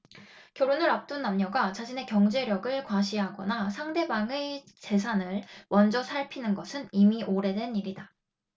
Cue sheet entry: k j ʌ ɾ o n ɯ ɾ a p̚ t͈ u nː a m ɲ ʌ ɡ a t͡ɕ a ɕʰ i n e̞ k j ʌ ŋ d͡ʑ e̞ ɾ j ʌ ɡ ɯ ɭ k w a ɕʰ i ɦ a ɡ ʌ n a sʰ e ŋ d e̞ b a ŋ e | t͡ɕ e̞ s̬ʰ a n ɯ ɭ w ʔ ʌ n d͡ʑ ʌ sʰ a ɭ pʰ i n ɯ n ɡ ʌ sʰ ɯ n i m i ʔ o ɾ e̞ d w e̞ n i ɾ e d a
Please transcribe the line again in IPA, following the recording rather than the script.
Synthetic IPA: k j ʌ ɾ o n ɯ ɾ a p̚ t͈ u nː a m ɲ ʌ ɡ a t͡ɕ a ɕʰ i n e̞ k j ʌ ŋ d͡ʑ e̞ ɾ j ʌ ɡ ɯ ɭ k w a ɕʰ i ɦ a ɡ ʌ n a sʰ a ŋ d e̞ b a ŋ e | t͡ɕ e̞ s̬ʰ a n ɯ ɭ w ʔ ʌ n d͡ʑ ʌ sʰ a ɭ pʰ i n ɯ n ɡ ʌ sʰ ɯ n i m i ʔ o ɾ e̞ d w e̞ n i ɾ i d a